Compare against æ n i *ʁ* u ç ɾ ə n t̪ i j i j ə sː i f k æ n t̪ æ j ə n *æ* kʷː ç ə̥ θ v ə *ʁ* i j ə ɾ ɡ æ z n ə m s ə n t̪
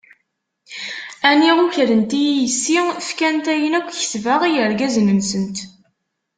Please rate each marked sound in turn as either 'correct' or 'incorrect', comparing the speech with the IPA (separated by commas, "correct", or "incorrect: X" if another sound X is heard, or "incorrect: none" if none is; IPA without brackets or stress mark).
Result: correct, correct, correct